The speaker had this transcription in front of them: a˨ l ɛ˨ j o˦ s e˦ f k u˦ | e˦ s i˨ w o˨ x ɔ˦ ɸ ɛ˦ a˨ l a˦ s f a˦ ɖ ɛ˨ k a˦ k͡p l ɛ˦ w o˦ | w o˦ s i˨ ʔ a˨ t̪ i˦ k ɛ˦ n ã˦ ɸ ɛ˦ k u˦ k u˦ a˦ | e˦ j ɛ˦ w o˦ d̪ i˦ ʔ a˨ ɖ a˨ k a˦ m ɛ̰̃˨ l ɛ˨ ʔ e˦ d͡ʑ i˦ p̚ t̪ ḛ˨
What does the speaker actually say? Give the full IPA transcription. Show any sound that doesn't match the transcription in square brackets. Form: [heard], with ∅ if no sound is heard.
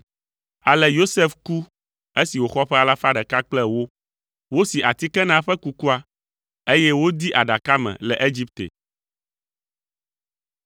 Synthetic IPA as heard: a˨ l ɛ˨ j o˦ s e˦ f k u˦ | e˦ s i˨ w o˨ x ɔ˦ ɸ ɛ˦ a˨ l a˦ [∅] f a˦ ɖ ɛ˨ k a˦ k͡p l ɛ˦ w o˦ | w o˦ s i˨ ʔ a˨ t̪ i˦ k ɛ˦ n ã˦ ɸ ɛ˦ k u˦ k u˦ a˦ | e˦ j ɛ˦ w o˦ d̪ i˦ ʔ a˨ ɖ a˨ k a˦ m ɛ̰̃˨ l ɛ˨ ʔ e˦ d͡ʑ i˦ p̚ t̪ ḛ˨